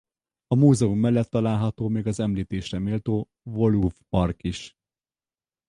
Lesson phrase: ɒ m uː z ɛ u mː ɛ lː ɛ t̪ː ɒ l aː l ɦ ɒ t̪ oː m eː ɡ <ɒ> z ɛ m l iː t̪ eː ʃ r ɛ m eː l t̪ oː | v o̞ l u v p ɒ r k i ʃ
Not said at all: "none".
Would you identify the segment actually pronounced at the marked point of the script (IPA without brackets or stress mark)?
ɒ